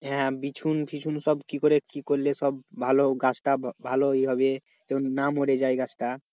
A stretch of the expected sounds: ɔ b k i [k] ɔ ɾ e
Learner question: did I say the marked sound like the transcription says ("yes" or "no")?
yes